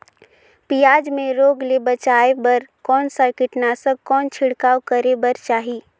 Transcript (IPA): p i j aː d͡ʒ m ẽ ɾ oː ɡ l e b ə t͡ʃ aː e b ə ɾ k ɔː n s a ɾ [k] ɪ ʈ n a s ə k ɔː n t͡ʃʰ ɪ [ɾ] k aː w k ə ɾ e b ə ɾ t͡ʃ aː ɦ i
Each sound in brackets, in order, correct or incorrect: correct, incorrect

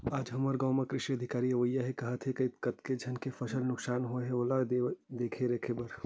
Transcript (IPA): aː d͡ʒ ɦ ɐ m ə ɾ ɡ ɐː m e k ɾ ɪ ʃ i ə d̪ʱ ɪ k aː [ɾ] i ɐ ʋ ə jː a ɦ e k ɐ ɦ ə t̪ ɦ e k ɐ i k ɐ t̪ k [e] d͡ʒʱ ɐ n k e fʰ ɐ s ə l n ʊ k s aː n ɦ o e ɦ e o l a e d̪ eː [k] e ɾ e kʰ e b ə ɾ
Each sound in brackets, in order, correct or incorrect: correct, correct, incorrect

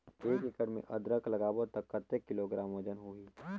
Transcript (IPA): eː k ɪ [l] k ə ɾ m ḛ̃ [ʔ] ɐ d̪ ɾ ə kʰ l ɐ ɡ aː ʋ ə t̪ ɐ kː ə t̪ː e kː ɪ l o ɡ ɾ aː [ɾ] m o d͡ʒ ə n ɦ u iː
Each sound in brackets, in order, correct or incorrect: incorrect, correct, incorrect

